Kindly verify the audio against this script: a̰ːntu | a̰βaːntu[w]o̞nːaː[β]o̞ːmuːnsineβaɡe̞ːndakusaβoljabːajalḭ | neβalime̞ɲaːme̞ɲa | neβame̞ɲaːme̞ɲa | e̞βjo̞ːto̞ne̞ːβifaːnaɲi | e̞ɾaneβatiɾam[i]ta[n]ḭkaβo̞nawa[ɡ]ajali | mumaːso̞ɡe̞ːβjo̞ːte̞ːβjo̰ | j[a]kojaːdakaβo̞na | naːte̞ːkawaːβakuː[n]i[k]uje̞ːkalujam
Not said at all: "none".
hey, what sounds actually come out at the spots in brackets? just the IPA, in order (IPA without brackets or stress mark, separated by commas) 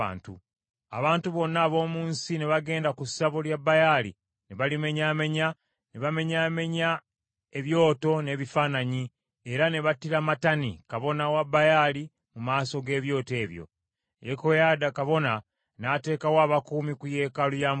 β, β, a, n, b, e, m, k